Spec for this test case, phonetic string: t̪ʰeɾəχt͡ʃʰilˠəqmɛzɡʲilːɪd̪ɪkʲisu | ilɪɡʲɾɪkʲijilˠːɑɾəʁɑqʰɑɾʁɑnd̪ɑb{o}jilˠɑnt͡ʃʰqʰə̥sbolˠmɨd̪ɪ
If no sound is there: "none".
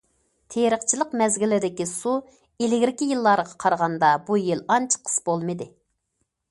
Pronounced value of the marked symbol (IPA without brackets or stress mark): u